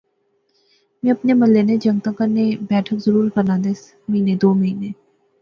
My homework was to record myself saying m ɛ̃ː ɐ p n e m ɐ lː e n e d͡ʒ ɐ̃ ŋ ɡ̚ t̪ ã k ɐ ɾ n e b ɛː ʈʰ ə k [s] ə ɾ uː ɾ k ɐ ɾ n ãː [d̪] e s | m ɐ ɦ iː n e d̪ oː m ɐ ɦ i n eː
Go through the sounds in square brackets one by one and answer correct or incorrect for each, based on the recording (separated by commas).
incorrect, correct